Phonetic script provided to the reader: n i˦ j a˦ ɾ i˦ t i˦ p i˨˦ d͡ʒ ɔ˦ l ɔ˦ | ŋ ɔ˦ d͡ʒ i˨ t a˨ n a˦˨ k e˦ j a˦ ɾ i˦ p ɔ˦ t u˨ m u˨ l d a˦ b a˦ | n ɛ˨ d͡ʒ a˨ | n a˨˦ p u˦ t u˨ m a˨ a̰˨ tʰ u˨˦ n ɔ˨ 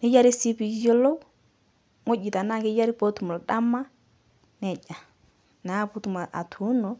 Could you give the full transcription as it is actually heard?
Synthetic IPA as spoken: n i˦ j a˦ ɾ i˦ s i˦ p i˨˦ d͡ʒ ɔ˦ l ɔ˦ | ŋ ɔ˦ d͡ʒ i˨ t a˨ n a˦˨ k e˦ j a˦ ɾ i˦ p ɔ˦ t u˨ m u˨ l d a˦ m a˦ | n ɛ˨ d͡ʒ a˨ | n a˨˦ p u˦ t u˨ m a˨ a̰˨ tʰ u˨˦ n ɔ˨